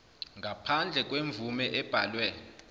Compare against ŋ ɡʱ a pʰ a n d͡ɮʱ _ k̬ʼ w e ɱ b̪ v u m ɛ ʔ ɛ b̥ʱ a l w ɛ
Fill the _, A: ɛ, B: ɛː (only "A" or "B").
A